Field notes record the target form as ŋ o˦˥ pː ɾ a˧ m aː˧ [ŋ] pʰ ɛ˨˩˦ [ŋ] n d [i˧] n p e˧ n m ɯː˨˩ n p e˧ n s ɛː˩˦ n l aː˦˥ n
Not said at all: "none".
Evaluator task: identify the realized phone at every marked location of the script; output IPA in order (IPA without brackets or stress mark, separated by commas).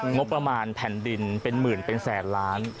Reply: n, none, i˧